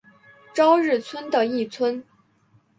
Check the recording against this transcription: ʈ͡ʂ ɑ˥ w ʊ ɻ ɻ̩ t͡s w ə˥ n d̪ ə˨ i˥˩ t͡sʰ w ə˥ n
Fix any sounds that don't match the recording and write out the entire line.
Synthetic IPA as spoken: ʈ͡ʂ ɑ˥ ʊ ɻ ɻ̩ t͡sʰ w ə˥ n d̪ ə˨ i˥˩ t͡sʰ w ə˥ n